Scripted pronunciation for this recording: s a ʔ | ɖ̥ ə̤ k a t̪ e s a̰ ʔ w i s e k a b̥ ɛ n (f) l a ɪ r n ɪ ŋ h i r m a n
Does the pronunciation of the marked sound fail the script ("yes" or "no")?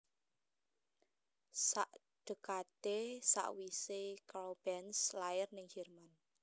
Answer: yes